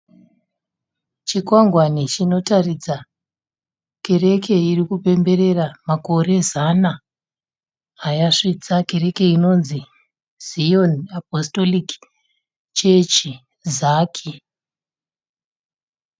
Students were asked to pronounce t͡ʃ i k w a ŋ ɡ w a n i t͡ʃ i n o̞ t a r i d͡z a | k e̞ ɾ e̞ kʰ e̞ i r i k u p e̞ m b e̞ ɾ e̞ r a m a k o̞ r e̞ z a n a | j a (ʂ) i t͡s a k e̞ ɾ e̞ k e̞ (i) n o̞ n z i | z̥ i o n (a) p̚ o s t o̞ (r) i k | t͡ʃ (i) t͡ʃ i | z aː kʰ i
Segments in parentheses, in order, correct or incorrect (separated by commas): correct, correct, correct, incorrect, incorrect